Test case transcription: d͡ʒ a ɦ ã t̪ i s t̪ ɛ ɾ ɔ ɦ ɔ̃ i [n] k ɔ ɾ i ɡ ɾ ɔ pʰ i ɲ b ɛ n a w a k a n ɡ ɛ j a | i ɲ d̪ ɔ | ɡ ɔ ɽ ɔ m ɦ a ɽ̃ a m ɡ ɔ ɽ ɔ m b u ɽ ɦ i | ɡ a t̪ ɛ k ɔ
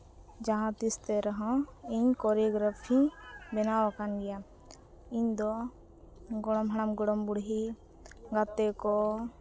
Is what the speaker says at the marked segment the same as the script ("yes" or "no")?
no